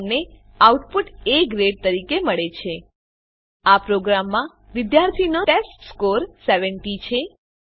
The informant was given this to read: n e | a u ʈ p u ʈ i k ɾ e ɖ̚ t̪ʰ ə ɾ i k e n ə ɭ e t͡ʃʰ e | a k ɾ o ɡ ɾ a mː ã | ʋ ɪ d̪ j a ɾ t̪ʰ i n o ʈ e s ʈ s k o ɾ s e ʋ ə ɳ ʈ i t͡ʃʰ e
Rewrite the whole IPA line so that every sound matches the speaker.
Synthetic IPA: n e | a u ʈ p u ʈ e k ɾ e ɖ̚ t̪ ə ɾ i k e m ə ɭ e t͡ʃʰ e | a p ɾ o ɡ ɾ a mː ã | ʋ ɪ d̪ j a ɾ t̪ʰ i n o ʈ e s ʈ s k o ɾ s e ʋ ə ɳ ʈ i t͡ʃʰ e